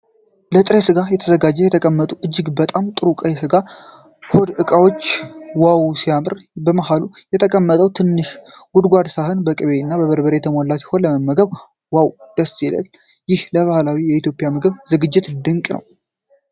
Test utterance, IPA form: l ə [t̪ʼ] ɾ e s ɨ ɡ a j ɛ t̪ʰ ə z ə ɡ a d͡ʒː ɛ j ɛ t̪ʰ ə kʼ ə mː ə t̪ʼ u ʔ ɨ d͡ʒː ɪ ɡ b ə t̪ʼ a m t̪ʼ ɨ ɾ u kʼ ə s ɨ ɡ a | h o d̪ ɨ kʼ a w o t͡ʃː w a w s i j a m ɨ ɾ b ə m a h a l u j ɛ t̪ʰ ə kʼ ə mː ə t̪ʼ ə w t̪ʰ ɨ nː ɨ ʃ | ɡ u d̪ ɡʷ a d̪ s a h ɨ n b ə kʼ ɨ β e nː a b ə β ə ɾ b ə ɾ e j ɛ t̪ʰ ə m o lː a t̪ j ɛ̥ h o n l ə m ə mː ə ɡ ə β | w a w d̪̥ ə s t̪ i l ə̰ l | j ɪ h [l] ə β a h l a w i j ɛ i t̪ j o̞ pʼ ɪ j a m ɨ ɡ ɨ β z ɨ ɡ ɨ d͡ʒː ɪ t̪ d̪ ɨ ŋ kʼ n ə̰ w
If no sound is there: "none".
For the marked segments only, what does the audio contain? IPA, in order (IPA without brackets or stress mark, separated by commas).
t̪ʼ, l